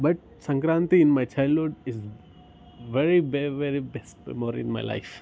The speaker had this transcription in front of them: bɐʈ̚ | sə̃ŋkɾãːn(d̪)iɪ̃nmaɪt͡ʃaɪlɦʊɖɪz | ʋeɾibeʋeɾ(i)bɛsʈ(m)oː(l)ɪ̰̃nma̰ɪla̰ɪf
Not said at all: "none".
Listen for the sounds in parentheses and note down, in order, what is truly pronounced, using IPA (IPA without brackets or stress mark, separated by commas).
t̪, i, m, ɾ